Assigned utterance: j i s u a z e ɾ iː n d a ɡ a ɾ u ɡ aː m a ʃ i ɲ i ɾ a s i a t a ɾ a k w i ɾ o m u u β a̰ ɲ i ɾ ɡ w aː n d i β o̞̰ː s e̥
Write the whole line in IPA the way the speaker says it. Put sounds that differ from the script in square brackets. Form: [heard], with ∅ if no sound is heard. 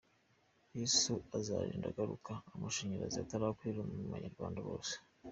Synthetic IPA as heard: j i s u a z [a] ɾ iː n d a ɡ a ɾ u [k] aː m a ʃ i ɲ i ɾ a [z] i a t a ɾ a k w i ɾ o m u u β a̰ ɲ [a] ɾ ɡ w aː n d [a] β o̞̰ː s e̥